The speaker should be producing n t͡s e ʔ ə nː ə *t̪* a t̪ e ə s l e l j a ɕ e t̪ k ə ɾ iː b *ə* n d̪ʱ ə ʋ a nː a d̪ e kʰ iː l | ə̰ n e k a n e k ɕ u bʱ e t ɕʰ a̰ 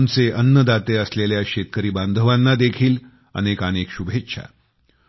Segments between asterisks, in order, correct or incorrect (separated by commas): incorrect, incorrect